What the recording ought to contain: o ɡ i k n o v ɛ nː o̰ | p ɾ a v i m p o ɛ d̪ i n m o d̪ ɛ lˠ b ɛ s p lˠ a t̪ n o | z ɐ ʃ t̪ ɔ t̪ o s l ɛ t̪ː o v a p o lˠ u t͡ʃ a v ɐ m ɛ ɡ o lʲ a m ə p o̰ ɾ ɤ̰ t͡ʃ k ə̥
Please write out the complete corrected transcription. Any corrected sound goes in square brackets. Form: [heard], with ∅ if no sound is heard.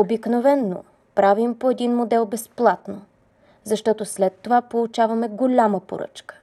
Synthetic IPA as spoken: o [b] i k n o v ɛ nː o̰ | p ɾ a v i m p o ɛ d̪ i n m o d̪ ɛ lˠ b ɛ s p lˠ a t̪ n o | z ɐ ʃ t̪ ɔ t̪ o s l ɛ t̪ː o v a p o lˠ u t͡ʃ a v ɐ m ɛ ɡ o lʲ a m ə p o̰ ɾ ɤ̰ t͡ʃ k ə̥